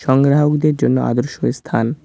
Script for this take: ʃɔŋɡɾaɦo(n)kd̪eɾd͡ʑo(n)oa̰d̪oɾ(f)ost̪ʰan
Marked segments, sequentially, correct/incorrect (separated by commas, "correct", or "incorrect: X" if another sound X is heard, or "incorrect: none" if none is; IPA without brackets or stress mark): incorrect: none, incorrect: nː, incorrect: ʃ